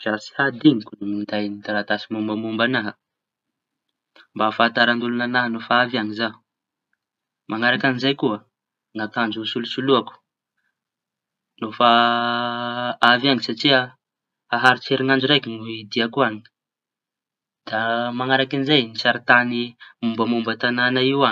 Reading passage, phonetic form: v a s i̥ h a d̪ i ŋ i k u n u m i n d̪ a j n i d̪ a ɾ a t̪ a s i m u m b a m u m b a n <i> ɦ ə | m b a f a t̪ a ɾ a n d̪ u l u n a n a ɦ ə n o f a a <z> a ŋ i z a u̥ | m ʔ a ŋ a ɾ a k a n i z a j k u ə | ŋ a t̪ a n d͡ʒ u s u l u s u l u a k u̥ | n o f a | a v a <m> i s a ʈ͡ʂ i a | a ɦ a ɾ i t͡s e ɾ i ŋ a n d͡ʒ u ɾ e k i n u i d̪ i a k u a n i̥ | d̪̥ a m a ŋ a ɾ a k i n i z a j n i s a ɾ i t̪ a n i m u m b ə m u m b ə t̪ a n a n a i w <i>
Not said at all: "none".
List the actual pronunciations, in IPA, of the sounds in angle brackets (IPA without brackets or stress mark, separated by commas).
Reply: a, v, ŋ, a